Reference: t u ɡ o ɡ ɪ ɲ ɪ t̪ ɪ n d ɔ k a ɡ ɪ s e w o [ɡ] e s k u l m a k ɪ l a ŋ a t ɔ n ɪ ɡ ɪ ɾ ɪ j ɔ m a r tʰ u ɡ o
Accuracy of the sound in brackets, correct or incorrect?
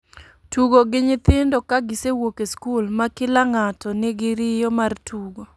incorrect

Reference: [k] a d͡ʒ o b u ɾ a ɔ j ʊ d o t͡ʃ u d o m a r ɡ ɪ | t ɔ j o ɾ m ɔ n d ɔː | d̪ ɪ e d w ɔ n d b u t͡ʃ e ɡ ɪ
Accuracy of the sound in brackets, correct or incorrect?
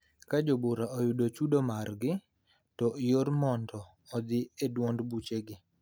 correct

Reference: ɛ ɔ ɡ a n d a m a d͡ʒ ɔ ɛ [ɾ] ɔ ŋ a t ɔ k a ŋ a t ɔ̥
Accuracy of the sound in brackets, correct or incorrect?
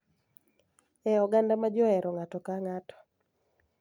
correct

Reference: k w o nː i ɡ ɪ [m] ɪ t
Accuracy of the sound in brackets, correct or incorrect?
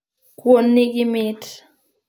correct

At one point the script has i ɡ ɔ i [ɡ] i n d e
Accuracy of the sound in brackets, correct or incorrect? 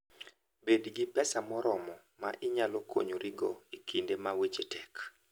incorrect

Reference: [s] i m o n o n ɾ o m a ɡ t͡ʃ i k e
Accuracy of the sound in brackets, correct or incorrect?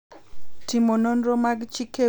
incorrect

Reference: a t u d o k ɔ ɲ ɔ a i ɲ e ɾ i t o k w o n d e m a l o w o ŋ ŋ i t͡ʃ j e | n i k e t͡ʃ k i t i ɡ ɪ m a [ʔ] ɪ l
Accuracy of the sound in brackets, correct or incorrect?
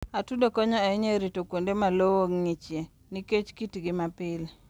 incorrect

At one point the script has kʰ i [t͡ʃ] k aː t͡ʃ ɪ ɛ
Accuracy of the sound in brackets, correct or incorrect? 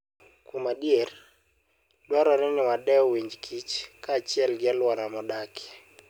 correct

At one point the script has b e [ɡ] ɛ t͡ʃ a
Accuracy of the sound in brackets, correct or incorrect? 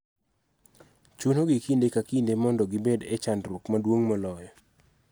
incorrect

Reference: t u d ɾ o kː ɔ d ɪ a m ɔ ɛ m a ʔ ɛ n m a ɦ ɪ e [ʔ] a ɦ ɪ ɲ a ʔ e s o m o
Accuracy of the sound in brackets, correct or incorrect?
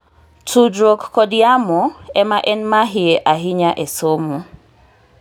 correct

